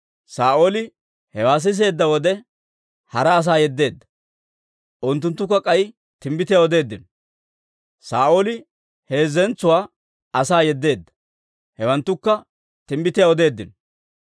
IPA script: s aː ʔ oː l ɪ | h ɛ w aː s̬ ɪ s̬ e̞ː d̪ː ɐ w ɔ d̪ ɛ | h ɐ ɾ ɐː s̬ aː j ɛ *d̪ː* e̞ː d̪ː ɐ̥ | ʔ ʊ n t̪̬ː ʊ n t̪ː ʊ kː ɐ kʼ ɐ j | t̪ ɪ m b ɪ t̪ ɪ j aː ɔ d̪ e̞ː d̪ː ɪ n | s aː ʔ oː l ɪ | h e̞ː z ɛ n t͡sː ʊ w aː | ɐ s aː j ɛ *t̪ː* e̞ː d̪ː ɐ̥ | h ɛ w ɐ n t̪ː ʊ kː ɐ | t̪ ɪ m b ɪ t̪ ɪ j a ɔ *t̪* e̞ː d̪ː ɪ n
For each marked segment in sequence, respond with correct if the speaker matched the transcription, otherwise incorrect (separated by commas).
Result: correct, incorrect, incorrect